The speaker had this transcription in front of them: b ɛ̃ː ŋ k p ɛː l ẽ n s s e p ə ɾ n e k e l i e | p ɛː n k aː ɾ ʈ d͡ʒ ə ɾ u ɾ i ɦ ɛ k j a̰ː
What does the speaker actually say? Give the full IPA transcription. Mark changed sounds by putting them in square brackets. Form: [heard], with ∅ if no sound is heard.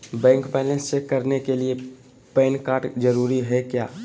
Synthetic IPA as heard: b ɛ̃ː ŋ k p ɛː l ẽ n s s e [k] ə ɾ n e k e l i e | p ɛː n k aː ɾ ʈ d͡ʒ ə ɾ u ɾ i ɦ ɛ k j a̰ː